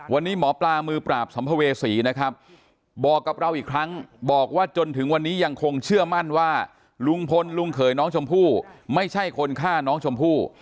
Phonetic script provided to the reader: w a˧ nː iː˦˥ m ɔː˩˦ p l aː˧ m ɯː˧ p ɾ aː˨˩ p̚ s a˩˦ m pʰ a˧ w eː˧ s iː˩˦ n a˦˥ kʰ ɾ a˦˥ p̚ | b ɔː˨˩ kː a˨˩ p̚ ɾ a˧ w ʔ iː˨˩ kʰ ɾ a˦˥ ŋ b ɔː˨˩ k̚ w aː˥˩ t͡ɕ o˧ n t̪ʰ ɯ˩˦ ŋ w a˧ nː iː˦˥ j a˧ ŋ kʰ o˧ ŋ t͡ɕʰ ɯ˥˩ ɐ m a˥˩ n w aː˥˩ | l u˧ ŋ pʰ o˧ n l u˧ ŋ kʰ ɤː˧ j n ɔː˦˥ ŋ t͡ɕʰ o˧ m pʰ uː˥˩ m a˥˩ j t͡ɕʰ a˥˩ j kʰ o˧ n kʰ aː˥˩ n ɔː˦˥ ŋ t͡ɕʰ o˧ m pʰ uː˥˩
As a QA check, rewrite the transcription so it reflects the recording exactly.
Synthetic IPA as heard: w a˧ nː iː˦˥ m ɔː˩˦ p l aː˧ m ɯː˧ p ɾ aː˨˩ p̚ s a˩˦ m pʰ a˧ w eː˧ s iː˩˦ n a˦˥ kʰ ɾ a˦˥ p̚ | b ɔː˨˩ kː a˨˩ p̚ ɾ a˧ w ʔ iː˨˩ kʰ ɾ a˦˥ ŋ b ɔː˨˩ k̚ w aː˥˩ t͡ɕ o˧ n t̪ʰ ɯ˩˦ ŋ w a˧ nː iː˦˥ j a˧ ŋ kʰ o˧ ŋ t͡ɕʰ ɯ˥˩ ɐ m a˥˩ n w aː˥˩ | l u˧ ŋ pʰ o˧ n l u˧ ŋ kʰ ɤː˩˦ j n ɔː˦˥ ŋ t͡ɕʰ o˧ m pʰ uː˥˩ m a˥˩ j t͡ɕʰ a˥˩ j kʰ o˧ n kʰ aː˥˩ n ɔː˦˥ ŋ t͡ɕʰ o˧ m pʰ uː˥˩